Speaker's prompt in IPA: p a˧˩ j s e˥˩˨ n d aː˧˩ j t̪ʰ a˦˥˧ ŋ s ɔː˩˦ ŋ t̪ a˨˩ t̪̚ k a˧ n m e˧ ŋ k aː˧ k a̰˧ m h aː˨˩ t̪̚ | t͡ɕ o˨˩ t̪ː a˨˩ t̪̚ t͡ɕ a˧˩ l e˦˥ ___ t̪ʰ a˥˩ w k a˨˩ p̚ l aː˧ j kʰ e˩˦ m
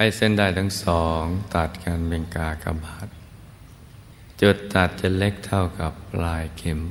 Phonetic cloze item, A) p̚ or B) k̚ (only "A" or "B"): B